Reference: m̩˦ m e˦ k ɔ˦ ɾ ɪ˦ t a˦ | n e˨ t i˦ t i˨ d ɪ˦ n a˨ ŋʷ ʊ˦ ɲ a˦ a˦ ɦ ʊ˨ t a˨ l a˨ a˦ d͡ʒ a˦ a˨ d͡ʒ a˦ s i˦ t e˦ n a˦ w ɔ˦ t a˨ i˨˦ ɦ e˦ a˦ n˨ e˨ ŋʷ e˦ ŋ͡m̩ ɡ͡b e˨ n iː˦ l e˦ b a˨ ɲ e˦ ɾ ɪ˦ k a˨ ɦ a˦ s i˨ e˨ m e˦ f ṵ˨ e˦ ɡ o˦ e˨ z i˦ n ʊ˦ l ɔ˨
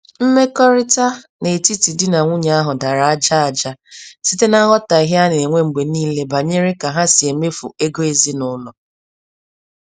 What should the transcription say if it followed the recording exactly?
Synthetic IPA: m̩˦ m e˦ k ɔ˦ ɾ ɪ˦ t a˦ | n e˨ t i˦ t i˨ d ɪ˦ n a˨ ŋʷ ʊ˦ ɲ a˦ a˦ ɦ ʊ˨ d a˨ ɾ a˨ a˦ d͡ʒ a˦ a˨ d͡ʒ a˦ s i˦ t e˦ n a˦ ɣ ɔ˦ t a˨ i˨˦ ɦ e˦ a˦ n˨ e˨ ŋʷ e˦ ŋ͡m̩ ɡ͡b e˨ n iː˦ l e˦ b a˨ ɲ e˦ ɾ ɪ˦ k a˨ ɦ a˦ s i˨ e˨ m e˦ f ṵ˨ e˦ ɡ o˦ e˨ z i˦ n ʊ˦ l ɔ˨